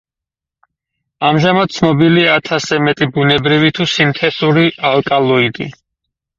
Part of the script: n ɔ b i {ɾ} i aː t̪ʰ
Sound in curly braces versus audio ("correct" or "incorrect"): incorrect